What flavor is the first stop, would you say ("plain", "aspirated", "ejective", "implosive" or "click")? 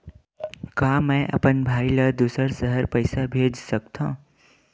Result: plain